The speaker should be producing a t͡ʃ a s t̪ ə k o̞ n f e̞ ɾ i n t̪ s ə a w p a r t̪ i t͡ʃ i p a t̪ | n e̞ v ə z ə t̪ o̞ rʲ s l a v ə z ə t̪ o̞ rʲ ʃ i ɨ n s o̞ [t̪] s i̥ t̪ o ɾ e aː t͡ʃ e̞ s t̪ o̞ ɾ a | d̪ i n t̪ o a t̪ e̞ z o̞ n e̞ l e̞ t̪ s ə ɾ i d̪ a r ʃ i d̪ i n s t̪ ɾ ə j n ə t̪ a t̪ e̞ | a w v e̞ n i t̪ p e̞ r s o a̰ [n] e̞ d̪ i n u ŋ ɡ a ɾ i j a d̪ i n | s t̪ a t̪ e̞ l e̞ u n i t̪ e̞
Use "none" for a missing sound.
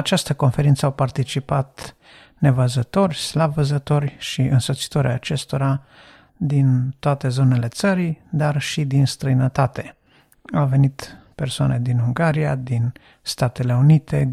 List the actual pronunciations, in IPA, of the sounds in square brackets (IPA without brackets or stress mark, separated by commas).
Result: t̪, n